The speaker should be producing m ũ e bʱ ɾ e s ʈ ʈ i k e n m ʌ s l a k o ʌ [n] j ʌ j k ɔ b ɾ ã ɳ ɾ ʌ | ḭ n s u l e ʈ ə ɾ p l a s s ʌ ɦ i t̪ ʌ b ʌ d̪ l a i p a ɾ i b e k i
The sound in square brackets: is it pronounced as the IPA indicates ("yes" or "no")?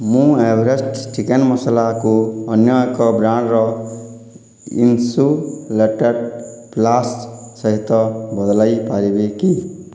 yes